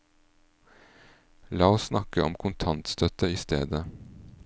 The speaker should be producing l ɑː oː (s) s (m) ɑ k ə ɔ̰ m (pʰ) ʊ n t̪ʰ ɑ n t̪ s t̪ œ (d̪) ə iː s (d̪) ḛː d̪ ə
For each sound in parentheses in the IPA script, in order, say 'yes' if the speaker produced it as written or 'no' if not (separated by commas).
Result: yes, no, no, no, no